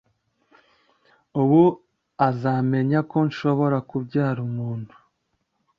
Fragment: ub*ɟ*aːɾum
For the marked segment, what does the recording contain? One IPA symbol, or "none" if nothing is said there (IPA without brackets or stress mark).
ɟ